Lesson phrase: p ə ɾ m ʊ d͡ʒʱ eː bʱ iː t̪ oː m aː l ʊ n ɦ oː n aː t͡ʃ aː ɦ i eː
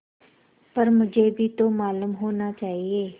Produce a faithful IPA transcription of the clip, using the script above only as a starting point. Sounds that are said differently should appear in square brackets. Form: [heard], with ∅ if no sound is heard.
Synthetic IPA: p ə ɾ m ʊ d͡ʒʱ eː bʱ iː t̪ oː m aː l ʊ [m] ɦ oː n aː t͡ʃ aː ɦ i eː